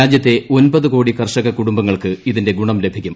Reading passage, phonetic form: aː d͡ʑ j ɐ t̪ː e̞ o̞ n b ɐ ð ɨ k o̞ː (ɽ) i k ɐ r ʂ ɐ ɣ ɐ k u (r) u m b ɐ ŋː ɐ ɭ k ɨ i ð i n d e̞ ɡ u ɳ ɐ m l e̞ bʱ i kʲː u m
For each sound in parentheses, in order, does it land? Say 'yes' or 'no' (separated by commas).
yes, no